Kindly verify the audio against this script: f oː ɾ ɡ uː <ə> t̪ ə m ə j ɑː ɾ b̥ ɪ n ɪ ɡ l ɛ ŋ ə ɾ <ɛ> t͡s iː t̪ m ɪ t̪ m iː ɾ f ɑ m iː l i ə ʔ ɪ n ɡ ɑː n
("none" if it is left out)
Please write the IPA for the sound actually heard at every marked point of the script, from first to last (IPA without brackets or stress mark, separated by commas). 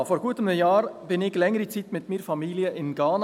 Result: ə, i